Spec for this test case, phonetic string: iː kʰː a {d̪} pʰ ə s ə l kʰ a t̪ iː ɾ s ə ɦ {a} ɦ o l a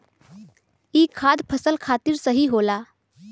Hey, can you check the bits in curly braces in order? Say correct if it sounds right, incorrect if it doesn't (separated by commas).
correct, incorrect